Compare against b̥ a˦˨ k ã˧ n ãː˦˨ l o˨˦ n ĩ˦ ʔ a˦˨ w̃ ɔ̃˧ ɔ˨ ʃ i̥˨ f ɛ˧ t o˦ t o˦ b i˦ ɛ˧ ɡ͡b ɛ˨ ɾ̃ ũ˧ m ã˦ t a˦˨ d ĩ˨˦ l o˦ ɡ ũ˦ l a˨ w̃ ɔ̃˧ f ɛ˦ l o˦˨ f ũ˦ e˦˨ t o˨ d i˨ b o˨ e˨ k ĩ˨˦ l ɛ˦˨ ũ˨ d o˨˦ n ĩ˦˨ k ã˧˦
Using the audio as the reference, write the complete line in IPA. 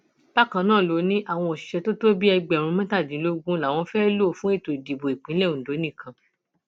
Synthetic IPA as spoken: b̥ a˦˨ k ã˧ n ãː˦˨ l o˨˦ n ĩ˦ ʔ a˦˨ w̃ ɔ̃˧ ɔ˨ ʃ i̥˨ ʃ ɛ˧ t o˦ t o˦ b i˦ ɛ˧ ɡ͡b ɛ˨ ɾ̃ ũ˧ m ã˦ t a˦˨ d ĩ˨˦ l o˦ ɡ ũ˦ l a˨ w̃ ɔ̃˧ f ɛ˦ l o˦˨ f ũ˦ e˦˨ t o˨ d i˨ b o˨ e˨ k͡p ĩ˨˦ l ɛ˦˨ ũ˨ d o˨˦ n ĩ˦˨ k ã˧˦